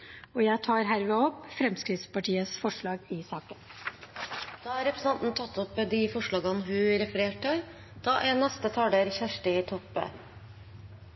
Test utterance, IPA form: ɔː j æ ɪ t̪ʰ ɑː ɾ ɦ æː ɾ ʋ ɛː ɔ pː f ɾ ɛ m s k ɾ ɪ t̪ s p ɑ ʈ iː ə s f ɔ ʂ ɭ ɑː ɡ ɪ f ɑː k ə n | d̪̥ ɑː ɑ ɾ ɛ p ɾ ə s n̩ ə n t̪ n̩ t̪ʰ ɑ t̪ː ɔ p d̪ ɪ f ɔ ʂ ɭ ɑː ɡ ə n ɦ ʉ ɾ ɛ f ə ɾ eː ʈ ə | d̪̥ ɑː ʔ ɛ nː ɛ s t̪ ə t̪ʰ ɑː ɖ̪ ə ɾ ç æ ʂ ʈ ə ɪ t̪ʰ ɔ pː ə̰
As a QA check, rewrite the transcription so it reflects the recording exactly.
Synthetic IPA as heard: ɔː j æ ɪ t̪ʰ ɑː ɾ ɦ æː ɾ ʋ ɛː ɔ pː f ɾ ɛ m s k ɾ ɪ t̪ s p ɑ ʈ iː ə s f ɔ ʂ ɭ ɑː ɡ ɪ s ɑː k ə n | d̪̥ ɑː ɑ ɾ ɛ p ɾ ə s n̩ ɑ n t̪ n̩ t̪ʰ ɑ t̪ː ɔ p d̪ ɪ f ɔ ʂ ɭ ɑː ɡ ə n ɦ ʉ ɾ ɛ f ə ɾ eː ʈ ə | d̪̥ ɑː ʔ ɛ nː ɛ s t̪ ə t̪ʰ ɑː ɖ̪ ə ɾ ç æ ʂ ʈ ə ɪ t̪ʰ ɔ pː ə̰